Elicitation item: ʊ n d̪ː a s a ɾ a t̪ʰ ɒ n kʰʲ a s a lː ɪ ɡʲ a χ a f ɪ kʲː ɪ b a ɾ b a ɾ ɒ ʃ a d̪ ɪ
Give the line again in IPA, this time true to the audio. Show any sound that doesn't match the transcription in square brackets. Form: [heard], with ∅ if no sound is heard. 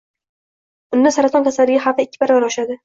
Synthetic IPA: ʊ n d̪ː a s a ɾ a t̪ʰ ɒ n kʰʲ a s a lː ɪ ɡʲ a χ a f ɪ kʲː ɪ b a ɾ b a ɾ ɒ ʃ a d̪ ɪ